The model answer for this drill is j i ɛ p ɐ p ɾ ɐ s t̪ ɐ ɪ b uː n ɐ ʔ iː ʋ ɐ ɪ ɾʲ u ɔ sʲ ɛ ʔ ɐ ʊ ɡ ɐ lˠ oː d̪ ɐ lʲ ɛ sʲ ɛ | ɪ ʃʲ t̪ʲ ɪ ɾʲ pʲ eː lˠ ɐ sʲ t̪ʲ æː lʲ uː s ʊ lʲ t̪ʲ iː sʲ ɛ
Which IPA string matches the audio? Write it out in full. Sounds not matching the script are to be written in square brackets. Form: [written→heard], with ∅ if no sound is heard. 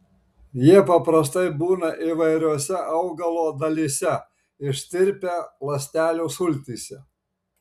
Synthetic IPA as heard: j i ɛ p ɐ p ɾ ɐ s t̪ ɐ ɪ b uː n ɐ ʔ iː ʋ ɐ ɪ ɾʲ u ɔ sʲ ɛ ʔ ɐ ʊ ɡ ɐ lˠ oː d̪ ɐ lʲ [ɛ→i] sʲ ɛ | ɪ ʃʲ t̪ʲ ɪ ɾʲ pʲ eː lˠ ɐ sʲ t̪ʲ æː lʲ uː s ʊ lʲ t̪ʲ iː sʲ ɛ